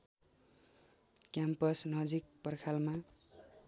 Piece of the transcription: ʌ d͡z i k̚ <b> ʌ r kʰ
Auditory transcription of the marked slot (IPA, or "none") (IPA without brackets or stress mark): p